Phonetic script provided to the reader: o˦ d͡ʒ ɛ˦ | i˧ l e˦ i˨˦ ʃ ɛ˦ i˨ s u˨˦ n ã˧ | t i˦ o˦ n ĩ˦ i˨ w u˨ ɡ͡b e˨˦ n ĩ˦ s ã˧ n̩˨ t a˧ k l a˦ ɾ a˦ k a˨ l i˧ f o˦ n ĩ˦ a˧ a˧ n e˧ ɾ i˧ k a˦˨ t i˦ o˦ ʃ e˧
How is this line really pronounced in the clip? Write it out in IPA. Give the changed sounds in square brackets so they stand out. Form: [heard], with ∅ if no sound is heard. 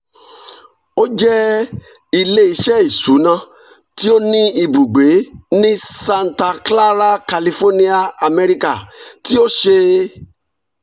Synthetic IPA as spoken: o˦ d͡ʒ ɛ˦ | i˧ l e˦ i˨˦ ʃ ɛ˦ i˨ s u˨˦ n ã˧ | t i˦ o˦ n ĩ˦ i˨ [b] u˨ ɡ͡b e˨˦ n ĩ˦ s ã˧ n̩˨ t a˧ k l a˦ ɾ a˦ k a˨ l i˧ f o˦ n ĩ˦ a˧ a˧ [m] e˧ ɾ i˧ k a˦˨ t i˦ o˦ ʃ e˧